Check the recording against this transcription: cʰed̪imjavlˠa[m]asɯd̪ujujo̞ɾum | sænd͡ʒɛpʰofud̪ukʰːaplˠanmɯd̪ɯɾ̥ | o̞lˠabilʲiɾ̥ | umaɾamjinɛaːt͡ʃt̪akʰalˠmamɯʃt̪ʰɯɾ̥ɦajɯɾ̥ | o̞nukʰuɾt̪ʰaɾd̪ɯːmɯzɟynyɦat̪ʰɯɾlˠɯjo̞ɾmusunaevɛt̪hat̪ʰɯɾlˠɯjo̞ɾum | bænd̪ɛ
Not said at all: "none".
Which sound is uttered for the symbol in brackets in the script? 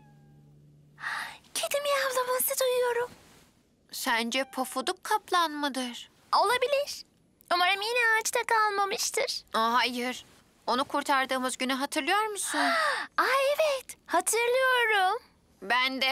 m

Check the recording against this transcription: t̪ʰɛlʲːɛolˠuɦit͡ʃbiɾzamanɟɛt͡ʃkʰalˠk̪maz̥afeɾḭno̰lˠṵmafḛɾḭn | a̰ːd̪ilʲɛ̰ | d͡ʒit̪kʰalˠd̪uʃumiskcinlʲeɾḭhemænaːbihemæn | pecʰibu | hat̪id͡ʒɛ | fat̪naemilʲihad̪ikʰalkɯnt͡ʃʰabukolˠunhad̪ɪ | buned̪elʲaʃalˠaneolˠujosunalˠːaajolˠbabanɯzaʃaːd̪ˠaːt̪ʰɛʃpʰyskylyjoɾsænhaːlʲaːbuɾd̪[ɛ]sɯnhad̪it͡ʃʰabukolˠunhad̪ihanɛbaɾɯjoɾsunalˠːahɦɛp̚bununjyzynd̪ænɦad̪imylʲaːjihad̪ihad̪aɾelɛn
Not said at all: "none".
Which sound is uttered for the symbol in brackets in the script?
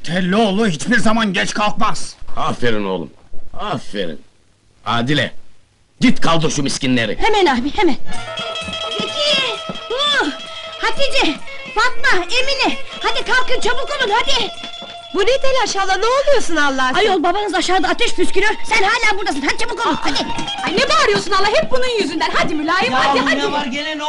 a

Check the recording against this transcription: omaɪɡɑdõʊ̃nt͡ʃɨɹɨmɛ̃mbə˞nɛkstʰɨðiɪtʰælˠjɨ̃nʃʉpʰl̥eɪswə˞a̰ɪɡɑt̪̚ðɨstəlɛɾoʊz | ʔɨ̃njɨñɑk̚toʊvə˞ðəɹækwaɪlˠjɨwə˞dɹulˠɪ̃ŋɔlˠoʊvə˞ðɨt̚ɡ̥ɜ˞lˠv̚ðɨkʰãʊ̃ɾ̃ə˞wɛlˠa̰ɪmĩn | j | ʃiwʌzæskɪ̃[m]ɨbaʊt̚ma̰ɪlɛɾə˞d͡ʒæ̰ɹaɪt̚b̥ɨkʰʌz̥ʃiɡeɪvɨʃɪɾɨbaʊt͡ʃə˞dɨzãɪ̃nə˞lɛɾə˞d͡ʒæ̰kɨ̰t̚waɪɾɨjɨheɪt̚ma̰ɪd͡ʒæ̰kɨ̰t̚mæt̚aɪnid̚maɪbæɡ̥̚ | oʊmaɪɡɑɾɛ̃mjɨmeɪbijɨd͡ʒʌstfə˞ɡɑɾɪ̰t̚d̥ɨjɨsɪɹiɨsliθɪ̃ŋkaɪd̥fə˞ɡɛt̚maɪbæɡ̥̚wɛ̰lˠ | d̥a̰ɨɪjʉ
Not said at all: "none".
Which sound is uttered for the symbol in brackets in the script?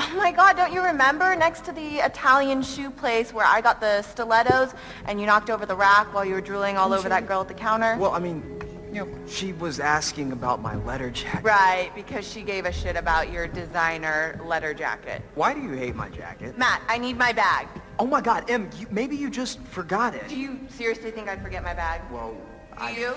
ŋ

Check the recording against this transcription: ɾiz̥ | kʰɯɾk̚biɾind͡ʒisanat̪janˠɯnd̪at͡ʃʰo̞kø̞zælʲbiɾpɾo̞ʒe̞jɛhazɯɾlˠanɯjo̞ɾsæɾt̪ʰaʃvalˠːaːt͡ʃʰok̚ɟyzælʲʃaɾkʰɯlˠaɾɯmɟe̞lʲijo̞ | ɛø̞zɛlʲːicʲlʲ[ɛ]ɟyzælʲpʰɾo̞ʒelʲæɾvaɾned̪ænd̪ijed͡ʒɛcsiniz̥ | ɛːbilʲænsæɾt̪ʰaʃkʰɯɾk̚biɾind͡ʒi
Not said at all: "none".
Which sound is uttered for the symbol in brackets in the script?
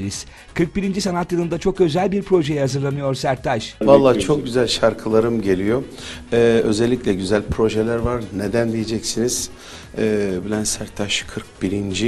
ɛ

